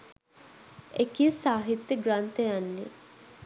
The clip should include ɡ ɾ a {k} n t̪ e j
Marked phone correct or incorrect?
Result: incorrect